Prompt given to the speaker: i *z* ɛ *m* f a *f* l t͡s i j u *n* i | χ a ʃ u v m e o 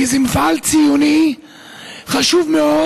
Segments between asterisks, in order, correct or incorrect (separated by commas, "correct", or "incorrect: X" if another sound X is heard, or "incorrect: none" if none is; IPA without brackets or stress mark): correct, correct, incorrect: none, correct